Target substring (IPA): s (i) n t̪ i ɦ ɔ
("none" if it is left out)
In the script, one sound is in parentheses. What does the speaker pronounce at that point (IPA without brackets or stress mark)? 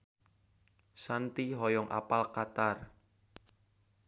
a